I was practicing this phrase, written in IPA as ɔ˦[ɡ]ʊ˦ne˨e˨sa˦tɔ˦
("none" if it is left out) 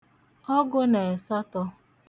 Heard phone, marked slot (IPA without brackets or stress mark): ɡ